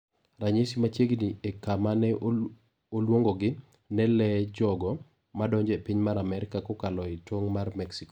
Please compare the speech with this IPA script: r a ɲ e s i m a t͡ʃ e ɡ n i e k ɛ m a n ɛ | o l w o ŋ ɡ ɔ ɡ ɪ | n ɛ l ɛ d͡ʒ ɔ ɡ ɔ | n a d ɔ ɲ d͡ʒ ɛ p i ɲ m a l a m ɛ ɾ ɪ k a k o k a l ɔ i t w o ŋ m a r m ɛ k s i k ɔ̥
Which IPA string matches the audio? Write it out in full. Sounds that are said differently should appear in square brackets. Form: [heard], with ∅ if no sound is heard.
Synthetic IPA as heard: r a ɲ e s i m a t͡ʃ e ɡ n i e k [a] m a n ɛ | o l w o ŋ ɡ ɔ ɡ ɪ | n ɛ l ɛ d͡ʒ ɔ ɡ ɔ | [m] a d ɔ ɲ d͡ʒ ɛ p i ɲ m a [ɾ] a m ɛ ɾ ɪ k a k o k a l ɔ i t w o ŋ m a r m ɛ k s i k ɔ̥